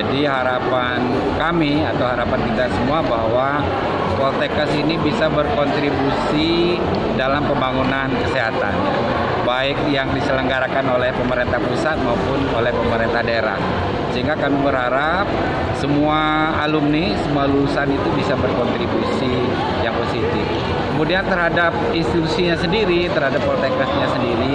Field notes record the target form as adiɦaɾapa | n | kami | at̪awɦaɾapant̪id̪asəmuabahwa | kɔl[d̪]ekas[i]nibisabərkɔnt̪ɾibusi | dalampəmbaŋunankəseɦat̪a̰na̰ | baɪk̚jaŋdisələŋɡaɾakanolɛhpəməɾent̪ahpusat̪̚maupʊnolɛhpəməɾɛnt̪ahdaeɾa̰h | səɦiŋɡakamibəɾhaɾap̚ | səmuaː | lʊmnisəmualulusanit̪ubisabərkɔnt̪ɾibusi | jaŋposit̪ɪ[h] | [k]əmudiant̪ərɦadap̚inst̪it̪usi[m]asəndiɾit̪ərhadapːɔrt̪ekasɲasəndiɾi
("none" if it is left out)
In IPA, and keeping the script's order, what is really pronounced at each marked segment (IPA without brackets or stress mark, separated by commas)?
t̪, i, f, k, ɲ